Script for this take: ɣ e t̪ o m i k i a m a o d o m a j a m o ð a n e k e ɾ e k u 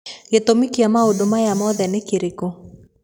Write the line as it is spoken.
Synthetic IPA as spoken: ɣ e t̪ o m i k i a m a o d o m a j a m ɔ ð ɛ n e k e ɾ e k o